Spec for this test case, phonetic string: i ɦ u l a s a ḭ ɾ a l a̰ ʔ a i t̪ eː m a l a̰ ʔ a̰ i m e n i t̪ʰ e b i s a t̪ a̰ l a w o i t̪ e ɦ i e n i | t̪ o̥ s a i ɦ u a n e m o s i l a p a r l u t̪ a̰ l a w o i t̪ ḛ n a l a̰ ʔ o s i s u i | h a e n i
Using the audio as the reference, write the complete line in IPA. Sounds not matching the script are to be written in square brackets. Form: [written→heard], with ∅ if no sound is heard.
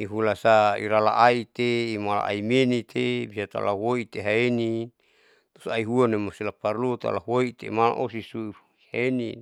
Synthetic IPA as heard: i ɦ u l a s a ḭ ɾ a l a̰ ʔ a i t̪ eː m a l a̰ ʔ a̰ i m e n i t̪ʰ e b i s a t̪ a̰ l a w o i t̪ e ɦ [i→a] e n i | t̪ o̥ s a i ɦ u a n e m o s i l a p a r l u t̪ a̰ l a w o i t̪ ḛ [n→m] a l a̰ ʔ o s i s u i | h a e n i